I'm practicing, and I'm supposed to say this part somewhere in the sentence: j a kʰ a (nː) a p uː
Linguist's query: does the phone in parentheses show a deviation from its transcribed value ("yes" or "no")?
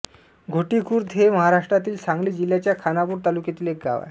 yes